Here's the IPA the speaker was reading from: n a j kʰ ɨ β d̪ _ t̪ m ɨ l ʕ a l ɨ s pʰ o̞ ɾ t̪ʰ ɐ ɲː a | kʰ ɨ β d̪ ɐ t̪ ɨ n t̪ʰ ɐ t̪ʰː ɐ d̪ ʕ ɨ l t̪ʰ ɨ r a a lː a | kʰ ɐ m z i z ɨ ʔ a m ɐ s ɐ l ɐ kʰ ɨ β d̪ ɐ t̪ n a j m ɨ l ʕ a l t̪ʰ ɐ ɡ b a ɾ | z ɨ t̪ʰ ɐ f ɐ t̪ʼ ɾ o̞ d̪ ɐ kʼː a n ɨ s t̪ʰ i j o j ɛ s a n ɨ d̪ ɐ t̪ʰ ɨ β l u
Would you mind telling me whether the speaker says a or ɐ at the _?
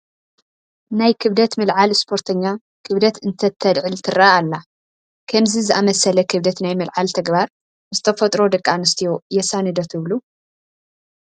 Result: ɐ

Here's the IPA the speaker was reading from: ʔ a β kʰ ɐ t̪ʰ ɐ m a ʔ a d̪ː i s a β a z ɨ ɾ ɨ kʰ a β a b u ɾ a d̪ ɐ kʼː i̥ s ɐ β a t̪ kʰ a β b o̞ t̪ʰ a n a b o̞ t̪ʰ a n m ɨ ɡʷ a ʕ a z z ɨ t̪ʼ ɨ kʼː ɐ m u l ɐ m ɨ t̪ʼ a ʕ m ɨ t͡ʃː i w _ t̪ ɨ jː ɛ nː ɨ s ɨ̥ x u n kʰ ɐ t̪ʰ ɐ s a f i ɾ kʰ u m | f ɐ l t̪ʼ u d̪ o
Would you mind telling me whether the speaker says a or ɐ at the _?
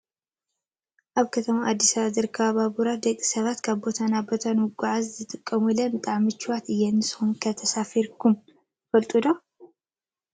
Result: a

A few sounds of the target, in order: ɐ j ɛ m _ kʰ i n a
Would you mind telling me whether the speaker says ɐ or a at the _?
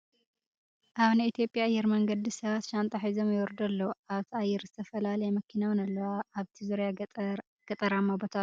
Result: ɐ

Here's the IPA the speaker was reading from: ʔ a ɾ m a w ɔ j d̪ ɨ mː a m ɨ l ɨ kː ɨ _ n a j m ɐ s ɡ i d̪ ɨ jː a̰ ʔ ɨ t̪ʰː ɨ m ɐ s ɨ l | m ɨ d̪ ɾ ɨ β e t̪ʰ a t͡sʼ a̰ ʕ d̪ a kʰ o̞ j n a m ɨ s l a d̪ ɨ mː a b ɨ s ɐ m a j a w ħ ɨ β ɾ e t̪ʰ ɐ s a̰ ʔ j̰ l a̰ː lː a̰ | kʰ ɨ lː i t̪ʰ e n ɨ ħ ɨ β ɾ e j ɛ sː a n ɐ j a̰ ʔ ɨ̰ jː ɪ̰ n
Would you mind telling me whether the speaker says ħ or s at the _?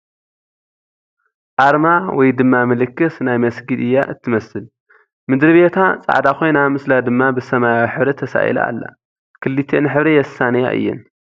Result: s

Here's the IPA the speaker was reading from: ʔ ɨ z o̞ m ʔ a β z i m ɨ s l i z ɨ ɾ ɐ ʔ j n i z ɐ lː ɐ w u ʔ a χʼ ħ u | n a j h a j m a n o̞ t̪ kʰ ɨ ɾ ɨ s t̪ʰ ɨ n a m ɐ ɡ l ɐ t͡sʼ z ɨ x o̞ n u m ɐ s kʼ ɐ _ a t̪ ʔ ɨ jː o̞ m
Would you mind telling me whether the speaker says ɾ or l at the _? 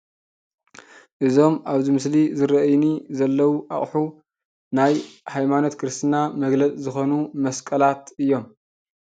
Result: l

